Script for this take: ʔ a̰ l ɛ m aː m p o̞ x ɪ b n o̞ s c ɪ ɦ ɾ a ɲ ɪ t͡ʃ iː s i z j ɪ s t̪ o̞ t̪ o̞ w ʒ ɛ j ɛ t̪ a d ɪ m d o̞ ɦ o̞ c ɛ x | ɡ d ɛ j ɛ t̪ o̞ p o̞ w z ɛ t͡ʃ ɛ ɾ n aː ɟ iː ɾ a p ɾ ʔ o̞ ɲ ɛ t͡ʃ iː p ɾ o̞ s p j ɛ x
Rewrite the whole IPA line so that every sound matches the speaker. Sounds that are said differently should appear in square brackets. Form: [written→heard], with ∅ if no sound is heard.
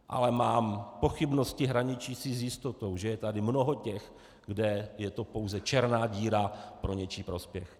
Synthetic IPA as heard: ʔ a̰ l ɛ m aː m p o̞ x ɪ b n o̞ s c ɪ ɦ ɾ a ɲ ɪ t͡ʃ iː s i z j ɪ s t̪ o̞ t̪ o̞ w ʒ ɛ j ɛ t̪ a d ɪ m [d→n] o̞ ɦ o̞ c ɛ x | ɡ d ɛ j ɛ t̪ o̞ p o̞ w z ɛ t͡ʃ ɛ ɾ n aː ɟ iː ɾ a p ɾ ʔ o̞ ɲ ɛ t͡ʃ iː p ɾ o̞ s p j ɛ x